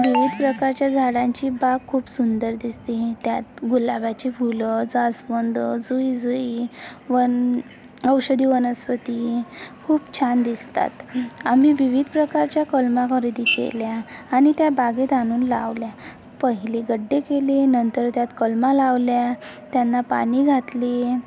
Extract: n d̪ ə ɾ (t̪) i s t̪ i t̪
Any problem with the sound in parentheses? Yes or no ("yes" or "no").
yes